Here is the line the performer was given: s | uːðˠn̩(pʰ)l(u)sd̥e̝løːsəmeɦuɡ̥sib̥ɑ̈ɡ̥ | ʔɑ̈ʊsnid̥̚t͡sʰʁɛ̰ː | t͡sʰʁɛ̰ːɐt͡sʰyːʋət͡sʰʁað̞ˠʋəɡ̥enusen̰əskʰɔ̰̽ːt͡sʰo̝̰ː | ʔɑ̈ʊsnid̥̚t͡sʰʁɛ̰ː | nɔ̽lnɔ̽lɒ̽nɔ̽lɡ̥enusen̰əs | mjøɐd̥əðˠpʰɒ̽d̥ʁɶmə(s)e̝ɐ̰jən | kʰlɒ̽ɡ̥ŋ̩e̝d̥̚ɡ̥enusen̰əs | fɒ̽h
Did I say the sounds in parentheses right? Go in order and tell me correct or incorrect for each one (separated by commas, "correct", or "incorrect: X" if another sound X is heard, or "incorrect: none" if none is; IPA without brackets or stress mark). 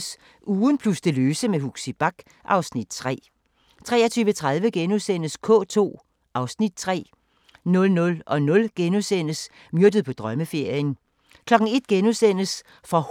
correct, correct, incorrect: f